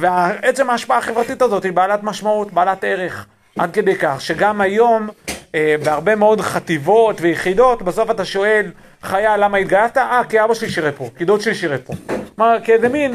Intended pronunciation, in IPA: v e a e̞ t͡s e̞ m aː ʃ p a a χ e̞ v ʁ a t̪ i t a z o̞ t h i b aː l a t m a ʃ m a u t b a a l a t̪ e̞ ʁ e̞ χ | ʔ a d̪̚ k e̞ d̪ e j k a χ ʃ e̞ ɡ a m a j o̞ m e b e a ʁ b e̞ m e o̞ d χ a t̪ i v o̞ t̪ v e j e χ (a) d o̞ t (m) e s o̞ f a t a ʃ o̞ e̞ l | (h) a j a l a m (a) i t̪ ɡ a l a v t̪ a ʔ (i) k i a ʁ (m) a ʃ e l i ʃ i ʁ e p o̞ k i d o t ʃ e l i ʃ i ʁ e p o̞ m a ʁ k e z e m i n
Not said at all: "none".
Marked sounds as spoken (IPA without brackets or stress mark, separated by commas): i, b, χ, a, a, b